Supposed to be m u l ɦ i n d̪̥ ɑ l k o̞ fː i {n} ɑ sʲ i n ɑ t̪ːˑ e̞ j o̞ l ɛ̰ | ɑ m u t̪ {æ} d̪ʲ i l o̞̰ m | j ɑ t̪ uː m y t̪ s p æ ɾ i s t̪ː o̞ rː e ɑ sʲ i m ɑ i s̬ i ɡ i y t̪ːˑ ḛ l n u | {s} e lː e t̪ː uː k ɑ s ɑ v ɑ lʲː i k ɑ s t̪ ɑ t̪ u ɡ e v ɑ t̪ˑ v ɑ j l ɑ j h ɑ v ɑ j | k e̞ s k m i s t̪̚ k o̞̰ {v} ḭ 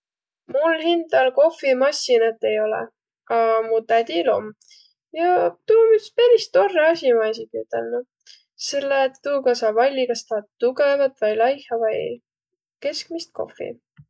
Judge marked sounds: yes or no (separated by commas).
no, yes, yes, no